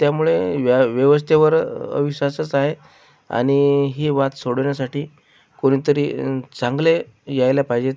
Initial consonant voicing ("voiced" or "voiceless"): voiceless